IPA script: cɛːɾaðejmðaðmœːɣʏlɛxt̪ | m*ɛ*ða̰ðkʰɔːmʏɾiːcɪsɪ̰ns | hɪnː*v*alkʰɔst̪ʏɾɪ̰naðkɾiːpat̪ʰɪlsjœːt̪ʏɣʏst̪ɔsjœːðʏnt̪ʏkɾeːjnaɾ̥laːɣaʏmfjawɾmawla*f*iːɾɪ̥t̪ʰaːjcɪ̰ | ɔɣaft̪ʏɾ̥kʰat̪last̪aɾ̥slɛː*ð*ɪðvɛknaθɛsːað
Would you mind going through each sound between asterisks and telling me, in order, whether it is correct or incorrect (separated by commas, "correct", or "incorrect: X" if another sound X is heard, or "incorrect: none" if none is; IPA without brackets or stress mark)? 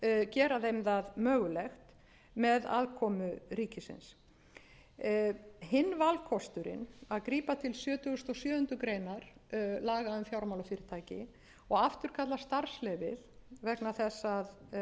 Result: correct, correct, correct, incorrect: v